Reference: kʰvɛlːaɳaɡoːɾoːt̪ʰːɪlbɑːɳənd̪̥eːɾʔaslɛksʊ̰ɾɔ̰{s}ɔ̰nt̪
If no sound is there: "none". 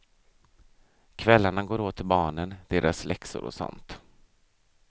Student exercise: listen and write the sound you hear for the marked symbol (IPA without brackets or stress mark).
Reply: s